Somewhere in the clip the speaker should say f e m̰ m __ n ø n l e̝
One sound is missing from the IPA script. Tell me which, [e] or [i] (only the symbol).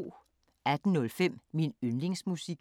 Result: i